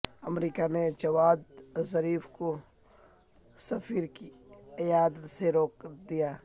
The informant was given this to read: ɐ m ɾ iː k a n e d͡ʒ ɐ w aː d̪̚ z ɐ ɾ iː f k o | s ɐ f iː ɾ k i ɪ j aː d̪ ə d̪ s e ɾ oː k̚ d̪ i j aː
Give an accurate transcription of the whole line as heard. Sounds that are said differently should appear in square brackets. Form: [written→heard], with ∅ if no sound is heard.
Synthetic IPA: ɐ m ɾ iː k a n e d͡ʒ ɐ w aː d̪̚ z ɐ ɾ iː f k o | s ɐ f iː ɾ k i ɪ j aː d̪ ə [d̪→t̪] s e ɾ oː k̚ d̪ i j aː